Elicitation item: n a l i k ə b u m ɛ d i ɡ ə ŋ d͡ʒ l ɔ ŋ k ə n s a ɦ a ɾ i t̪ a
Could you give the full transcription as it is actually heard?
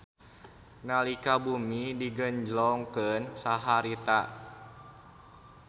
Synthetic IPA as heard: n a l i k a b u m i d i ɡ ə ɲ d͡ʒ l ɔ ŋ k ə n s a ɦ a ɾ i t̪ a